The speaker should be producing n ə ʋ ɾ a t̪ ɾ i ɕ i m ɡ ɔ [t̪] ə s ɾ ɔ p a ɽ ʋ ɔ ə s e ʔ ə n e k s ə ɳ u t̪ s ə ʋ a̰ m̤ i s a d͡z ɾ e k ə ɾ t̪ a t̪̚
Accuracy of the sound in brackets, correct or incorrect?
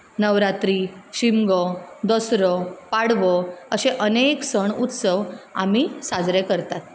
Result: incorrect